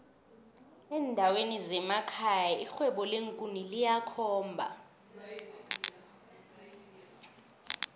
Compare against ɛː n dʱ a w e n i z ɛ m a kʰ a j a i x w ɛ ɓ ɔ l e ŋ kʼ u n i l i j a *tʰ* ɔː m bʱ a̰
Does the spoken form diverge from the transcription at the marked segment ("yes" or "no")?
yes